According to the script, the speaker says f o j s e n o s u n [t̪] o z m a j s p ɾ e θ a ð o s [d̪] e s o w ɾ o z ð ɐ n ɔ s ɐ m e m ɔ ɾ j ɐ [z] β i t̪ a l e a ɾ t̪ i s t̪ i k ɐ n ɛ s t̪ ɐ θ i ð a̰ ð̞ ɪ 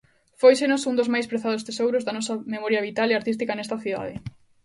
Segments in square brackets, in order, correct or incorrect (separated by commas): incorrect, incorrect, incorrect